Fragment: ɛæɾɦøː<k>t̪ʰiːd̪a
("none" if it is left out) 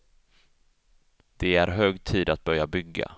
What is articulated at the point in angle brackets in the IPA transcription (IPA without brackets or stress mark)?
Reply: ɡ